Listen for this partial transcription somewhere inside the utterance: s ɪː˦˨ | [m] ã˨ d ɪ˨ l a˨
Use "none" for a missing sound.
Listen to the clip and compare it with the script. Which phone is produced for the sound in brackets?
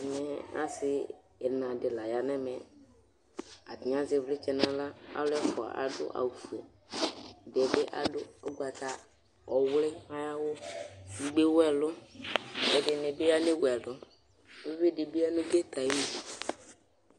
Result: n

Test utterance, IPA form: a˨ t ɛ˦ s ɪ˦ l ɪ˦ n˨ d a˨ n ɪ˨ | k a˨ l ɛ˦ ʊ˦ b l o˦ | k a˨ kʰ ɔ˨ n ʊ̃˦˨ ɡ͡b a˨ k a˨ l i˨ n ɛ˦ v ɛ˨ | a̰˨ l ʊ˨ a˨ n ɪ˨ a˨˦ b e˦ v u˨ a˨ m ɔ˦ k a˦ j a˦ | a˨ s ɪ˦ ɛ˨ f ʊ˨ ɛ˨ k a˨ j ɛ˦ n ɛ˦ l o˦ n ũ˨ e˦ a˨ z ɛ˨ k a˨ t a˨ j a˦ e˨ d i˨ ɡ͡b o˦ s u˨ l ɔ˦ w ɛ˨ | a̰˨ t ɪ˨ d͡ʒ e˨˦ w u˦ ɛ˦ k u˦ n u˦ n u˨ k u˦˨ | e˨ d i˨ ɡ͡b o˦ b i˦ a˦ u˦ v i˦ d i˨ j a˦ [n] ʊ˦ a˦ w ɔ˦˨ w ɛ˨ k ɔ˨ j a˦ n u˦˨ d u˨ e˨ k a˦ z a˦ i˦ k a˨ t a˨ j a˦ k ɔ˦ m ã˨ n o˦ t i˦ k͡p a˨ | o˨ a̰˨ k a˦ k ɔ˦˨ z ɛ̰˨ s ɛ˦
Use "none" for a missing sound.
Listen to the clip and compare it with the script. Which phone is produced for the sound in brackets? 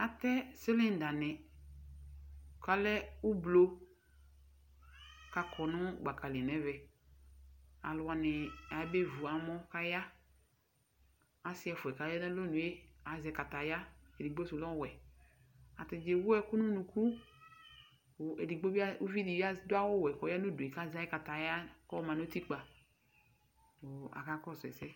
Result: d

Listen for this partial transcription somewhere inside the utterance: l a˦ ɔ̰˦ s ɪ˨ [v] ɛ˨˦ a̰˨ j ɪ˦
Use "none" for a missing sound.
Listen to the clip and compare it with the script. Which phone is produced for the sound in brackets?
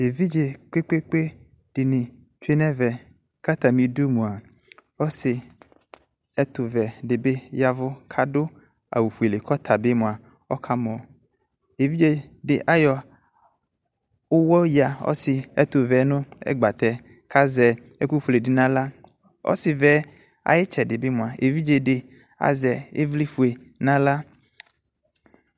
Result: v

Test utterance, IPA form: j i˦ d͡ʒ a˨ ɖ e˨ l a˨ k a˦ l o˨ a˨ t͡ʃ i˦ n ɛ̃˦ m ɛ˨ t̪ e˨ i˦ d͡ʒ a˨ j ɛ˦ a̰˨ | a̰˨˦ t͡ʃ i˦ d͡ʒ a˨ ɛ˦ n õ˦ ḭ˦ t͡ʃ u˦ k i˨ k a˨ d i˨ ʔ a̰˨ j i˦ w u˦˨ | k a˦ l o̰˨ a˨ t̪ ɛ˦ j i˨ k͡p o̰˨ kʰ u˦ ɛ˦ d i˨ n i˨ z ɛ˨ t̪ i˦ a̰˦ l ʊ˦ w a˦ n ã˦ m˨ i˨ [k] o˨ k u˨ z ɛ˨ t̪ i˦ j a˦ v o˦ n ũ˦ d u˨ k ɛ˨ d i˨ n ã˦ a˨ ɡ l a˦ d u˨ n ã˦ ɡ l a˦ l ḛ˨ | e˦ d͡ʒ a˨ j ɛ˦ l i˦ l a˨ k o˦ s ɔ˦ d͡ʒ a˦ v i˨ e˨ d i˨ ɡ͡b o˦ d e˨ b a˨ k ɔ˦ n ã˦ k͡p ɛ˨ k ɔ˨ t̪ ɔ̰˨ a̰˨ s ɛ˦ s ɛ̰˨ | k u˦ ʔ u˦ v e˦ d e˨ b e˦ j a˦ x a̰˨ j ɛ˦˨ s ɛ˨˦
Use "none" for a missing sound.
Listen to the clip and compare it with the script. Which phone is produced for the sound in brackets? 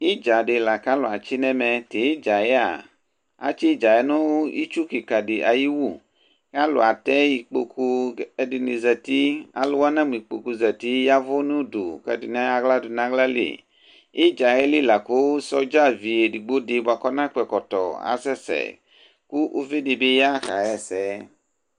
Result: k͡p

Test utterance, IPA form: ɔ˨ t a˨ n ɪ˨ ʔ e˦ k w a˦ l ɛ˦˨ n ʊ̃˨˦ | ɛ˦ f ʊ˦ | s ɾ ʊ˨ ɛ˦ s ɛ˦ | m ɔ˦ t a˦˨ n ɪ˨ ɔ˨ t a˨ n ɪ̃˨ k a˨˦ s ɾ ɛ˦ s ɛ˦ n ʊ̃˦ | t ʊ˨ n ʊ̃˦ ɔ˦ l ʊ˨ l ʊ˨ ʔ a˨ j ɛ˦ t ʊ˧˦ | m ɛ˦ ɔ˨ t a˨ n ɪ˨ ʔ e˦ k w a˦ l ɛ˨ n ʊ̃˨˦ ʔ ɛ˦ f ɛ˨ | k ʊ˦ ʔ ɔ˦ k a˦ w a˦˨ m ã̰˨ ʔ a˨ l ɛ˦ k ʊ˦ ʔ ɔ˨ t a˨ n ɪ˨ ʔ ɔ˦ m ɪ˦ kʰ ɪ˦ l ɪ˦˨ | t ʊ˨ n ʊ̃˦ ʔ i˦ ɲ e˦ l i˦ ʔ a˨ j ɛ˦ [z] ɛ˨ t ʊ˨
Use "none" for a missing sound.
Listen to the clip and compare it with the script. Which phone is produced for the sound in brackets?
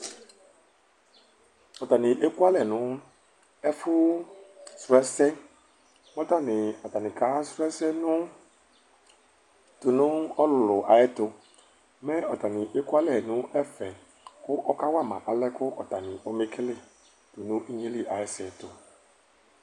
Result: s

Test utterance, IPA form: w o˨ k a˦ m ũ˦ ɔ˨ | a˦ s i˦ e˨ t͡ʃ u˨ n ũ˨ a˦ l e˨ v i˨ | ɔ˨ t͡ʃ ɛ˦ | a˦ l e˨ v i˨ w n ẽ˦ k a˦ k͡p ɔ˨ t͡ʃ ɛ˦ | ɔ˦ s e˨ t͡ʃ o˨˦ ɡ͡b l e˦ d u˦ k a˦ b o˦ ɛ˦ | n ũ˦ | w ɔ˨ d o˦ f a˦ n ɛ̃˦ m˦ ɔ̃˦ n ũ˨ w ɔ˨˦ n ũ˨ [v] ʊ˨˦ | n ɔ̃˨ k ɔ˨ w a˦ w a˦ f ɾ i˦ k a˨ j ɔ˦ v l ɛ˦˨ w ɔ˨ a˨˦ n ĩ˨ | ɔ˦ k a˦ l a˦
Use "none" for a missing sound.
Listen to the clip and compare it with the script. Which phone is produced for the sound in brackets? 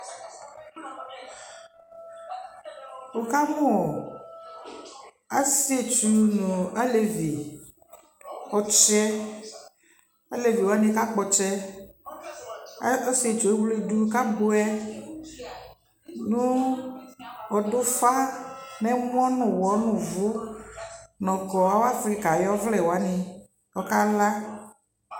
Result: v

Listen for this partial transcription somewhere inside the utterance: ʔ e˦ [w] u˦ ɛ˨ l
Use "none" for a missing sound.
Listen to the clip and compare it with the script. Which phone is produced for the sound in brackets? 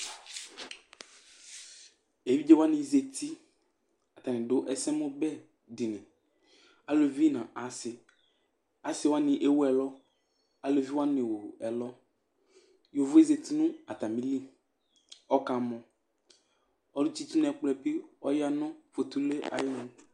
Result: w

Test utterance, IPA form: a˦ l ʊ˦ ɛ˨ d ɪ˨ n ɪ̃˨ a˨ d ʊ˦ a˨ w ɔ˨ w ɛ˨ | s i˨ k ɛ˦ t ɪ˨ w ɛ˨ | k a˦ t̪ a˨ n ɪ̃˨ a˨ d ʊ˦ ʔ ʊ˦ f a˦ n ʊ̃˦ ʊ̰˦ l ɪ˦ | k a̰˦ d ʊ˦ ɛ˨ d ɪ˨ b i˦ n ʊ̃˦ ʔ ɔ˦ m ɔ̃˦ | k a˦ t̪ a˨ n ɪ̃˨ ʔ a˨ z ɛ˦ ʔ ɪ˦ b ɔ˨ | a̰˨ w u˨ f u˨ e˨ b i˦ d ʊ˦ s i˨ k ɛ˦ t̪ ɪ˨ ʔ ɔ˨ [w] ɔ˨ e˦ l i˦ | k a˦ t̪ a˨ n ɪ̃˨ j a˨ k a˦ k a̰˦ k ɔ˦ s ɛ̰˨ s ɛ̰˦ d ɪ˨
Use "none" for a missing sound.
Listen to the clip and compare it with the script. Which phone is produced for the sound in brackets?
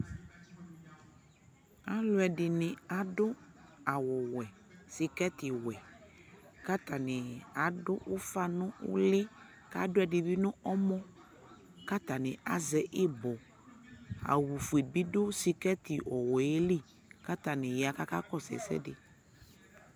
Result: w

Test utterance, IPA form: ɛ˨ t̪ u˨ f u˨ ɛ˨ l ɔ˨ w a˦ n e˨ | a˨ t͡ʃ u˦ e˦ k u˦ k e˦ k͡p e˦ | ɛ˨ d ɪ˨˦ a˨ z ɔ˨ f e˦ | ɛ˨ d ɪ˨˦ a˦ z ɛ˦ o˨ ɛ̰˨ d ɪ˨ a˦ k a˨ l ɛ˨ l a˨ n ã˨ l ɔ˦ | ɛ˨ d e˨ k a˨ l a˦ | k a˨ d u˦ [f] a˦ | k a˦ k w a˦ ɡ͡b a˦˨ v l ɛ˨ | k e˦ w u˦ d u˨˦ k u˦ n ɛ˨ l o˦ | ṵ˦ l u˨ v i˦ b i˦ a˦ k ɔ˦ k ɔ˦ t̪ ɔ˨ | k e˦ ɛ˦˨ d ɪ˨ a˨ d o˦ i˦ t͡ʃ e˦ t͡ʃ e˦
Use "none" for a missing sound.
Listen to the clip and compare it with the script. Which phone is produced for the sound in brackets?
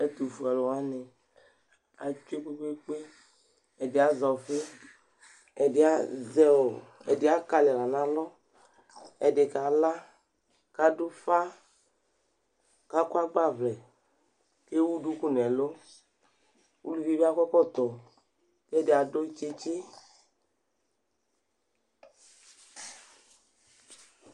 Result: f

